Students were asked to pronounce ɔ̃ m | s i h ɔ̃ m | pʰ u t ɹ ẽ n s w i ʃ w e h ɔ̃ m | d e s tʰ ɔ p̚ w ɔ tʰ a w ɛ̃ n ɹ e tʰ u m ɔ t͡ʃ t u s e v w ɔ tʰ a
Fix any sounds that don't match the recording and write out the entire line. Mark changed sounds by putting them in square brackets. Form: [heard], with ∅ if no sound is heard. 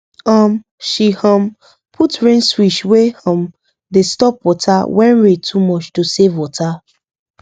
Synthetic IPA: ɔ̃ m | [ʃ] i h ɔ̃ m | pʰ u t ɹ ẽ n s w i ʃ w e h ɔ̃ m | d e s [t] ɔ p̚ w ɔ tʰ a w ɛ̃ n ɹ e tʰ u m ɔ t͡ʃ t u s e v w ɔ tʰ a